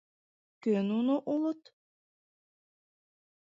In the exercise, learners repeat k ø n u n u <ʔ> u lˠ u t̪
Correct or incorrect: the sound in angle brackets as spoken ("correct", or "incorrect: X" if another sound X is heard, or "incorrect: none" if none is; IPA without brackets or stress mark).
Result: correct